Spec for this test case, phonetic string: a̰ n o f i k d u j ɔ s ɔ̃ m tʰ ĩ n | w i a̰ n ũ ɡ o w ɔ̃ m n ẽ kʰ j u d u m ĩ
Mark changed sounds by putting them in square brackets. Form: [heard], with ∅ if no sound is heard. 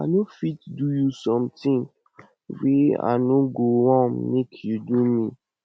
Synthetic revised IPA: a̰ n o f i [t] d u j [u] s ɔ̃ m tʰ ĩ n | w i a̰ n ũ ɡ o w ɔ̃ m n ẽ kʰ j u d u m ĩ